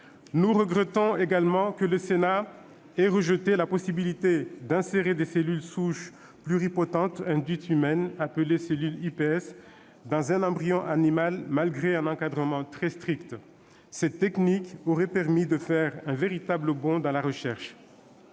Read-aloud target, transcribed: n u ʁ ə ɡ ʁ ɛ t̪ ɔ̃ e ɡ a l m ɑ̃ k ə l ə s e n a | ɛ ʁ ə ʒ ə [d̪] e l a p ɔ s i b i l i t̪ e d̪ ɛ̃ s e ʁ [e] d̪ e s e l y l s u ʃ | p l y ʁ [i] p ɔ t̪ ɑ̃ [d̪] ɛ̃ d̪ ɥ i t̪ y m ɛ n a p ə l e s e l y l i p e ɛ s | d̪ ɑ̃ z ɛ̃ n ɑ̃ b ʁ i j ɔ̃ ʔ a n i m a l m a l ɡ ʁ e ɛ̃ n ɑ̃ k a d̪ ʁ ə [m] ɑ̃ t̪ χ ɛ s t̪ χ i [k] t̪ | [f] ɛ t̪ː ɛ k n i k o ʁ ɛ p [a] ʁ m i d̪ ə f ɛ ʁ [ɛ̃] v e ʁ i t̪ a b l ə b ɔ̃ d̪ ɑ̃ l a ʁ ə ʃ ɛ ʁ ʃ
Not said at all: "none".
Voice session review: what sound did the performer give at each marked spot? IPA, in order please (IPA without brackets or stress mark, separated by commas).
t̪, e, i, t̪, m, k, s, ɛ, ɛ̃